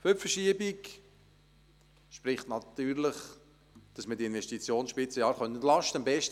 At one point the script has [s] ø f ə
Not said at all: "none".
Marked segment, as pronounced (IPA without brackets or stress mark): f